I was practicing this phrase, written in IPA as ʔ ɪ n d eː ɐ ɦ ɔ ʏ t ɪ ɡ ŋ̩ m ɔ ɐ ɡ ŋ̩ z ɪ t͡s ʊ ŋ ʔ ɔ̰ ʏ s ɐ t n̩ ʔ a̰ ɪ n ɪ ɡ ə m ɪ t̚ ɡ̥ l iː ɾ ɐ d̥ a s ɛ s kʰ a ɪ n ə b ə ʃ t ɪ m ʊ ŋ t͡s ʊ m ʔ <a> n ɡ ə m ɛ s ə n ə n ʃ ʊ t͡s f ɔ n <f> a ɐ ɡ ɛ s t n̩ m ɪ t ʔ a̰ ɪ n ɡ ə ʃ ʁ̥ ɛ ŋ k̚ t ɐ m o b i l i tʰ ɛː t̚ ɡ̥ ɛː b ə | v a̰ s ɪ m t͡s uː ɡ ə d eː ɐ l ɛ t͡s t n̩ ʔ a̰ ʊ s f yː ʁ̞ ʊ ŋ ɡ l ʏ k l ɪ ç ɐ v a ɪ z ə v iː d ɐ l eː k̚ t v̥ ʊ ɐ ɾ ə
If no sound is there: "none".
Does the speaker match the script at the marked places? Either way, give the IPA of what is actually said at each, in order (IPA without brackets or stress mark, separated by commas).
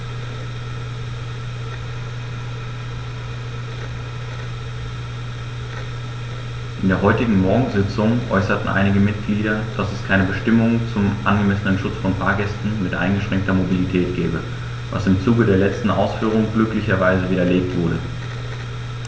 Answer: a, f